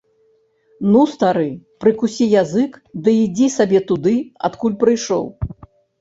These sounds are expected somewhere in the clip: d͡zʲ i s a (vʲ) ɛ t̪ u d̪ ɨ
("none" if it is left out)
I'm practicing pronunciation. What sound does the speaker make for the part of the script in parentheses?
bʲ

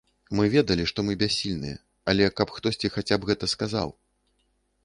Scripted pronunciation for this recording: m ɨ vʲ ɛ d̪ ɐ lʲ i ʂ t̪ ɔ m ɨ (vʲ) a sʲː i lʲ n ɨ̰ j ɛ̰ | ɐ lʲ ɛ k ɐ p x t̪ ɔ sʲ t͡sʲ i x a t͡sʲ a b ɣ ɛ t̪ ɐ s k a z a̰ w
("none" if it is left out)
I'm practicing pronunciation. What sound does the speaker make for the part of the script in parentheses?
bʲ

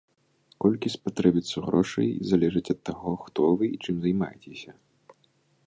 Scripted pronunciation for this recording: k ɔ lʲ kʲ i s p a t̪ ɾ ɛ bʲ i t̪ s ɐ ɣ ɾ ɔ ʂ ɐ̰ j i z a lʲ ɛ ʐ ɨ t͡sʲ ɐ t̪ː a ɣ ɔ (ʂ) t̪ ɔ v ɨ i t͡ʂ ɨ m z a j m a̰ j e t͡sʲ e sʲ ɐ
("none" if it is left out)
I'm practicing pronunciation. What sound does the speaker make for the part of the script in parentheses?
x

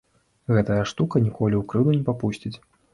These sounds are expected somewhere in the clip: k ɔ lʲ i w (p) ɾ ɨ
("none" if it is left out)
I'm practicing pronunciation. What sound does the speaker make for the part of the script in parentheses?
k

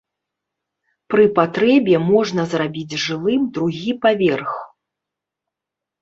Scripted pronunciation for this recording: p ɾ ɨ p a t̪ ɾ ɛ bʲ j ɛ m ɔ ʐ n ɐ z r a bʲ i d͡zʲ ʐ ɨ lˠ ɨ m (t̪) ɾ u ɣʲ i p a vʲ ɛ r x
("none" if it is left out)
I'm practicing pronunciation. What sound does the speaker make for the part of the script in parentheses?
d̪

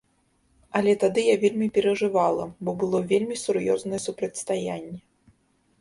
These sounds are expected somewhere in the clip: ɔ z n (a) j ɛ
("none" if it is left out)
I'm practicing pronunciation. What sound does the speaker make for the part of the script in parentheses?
ɐ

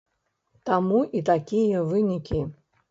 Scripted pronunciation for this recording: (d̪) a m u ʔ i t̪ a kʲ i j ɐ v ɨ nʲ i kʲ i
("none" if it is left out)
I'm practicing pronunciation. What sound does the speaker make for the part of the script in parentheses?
t̪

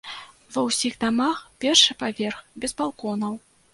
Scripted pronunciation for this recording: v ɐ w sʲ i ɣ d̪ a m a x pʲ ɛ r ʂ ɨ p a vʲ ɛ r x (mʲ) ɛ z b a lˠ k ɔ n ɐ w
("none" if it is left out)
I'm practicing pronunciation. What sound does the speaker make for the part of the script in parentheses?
bʲ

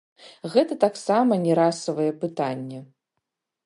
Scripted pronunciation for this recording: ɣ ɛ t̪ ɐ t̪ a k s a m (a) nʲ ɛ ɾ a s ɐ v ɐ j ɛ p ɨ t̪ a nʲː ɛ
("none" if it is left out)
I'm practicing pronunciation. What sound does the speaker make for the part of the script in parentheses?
ɐ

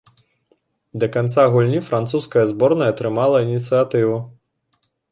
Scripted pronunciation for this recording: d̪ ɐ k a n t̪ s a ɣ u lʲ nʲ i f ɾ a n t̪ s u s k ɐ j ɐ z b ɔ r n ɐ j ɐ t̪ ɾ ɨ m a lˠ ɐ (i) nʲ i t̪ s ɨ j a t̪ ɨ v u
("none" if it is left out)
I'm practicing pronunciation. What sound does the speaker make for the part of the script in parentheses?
i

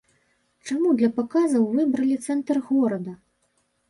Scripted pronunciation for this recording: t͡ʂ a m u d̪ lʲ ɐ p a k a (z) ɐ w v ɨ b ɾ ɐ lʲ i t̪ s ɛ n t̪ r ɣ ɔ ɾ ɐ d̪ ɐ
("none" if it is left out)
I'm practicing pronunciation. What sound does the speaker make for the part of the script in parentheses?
z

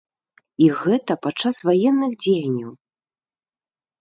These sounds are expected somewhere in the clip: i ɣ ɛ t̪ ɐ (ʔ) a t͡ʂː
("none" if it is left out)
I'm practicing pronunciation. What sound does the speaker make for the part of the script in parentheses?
p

